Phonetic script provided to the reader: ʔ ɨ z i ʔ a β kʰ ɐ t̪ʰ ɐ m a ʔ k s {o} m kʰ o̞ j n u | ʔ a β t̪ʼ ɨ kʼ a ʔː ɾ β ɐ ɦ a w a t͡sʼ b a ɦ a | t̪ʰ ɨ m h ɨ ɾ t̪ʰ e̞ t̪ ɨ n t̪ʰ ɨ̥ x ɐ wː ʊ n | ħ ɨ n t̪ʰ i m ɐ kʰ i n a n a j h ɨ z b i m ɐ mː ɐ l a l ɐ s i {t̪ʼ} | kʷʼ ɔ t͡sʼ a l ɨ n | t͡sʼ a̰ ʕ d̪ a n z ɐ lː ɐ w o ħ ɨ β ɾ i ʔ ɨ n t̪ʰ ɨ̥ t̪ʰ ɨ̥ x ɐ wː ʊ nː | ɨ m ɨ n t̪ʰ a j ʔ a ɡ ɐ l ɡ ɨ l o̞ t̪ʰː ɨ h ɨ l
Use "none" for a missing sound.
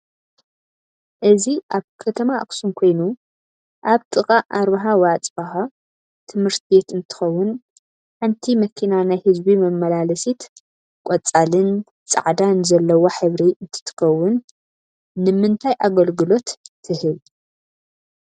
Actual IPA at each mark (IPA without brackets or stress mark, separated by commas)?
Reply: u, t̪